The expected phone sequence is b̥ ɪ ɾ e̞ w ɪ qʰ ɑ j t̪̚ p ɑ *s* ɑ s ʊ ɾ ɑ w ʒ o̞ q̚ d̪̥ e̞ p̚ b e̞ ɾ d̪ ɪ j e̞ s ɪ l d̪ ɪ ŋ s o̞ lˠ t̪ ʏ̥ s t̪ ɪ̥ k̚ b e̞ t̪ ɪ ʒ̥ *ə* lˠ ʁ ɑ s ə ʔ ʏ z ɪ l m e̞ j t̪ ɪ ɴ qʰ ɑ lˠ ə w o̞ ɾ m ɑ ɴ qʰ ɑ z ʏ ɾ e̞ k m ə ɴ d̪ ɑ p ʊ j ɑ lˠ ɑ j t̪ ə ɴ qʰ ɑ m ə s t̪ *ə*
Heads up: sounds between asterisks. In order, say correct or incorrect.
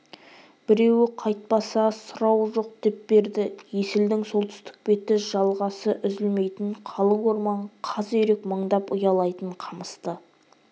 correct, incorrect, correct

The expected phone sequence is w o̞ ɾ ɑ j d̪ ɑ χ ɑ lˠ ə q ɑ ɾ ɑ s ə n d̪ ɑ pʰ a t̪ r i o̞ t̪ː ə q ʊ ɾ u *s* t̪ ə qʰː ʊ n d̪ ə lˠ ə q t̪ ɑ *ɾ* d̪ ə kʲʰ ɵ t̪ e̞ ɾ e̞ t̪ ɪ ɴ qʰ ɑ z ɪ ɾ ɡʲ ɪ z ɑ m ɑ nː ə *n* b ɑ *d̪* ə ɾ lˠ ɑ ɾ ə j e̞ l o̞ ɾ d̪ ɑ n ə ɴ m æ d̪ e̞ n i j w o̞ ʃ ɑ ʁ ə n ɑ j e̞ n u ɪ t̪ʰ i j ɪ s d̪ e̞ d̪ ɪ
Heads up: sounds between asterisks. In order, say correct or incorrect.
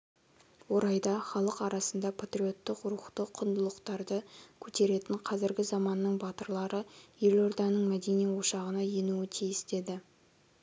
incorrect, correct, incorrect, incorrect

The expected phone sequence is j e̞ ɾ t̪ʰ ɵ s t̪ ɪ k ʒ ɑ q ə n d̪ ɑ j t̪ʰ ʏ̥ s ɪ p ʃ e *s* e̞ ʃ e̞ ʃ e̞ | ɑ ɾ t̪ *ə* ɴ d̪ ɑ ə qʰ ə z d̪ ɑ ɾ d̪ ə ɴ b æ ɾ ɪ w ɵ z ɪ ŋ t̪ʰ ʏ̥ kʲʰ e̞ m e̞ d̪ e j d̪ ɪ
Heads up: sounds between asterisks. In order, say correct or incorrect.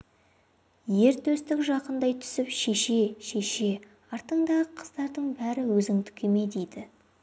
incorrect, correct

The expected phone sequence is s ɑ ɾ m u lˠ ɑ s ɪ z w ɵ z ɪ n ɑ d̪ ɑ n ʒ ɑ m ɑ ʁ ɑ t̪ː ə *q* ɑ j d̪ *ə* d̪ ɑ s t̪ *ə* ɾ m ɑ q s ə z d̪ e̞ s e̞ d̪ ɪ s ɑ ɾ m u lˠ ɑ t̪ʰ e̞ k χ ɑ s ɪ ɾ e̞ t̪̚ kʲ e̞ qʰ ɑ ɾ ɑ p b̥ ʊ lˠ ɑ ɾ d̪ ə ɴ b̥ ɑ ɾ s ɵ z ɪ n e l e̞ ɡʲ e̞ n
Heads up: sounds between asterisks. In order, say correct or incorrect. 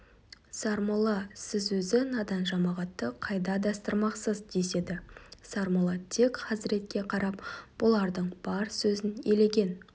incorrect, incorrect, correct

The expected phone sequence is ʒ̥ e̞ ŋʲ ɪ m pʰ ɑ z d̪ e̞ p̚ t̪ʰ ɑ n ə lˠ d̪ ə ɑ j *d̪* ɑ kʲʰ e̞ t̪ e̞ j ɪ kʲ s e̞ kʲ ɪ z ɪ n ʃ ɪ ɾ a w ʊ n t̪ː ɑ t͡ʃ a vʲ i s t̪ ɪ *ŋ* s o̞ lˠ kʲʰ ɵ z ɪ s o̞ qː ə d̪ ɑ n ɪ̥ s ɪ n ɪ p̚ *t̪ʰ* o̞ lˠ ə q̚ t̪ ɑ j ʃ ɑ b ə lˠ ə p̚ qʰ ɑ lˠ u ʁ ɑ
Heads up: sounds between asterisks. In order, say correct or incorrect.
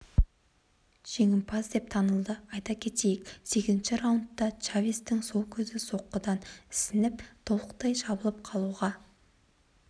incorrect, correct, correct

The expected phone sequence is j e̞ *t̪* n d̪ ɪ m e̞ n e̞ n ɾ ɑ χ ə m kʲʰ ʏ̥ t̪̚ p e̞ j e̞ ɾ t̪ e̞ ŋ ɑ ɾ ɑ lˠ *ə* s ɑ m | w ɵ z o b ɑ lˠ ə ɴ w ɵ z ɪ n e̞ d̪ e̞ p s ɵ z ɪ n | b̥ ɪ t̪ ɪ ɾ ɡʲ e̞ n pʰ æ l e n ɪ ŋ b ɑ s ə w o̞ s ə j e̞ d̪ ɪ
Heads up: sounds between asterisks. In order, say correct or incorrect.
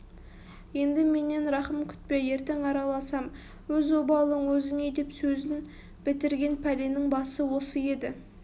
incorrect, incorrect

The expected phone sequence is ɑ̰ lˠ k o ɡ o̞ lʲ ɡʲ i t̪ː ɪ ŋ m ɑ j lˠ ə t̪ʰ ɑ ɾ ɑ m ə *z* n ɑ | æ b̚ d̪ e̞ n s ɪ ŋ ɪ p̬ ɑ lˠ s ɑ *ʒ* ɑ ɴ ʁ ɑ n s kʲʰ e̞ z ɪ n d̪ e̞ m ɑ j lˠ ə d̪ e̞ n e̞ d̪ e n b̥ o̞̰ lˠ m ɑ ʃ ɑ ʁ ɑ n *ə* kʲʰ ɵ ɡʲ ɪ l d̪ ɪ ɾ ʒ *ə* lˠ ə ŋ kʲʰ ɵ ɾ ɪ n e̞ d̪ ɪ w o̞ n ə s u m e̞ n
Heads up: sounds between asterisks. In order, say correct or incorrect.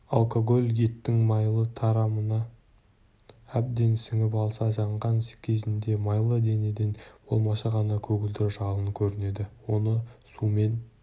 incorrect, correct, incorrect, incorrect

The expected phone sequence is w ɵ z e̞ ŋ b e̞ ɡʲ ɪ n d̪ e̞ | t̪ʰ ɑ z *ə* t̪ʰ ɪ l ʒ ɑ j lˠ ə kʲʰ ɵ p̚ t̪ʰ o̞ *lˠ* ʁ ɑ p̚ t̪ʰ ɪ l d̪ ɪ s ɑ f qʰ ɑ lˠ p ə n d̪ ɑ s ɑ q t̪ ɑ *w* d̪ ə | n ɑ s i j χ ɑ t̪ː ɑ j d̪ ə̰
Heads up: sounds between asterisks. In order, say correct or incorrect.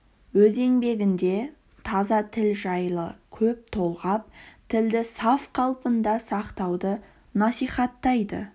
incorrect, correct, correct

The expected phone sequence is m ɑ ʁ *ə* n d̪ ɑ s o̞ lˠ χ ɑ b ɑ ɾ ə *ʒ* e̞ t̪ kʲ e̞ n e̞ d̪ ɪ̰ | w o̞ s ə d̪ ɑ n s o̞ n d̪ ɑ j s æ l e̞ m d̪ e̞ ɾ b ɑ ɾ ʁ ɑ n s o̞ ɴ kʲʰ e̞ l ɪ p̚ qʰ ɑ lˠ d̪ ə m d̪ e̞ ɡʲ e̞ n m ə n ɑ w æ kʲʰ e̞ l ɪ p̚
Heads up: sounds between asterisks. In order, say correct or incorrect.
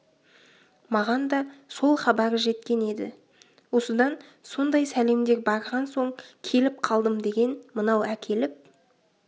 incorrect, correct

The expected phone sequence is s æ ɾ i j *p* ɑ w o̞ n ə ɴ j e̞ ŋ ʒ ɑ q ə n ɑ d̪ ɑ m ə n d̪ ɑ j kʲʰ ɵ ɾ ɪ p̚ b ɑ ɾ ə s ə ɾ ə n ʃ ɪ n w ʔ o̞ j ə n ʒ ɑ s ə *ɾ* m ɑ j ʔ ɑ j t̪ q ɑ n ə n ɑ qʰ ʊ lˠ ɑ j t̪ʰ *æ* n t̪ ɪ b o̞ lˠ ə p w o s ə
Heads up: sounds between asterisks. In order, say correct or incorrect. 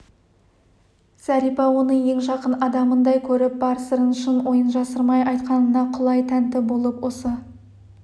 correct, correct, correct

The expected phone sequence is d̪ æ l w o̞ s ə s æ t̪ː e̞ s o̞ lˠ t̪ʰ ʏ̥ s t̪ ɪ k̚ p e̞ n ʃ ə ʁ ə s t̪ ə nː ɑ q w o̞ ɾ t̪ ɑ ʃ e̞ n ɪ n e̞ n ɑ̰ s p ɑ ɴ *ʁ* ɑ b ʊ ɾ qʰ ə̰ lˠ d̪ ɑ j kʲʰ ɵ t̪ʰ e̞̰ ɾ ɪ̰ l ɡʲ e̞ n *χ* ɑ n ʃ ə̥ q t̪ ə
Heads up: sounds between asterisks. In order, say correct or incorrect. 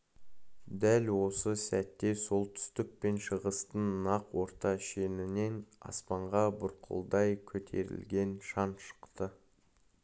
correct, incorrect

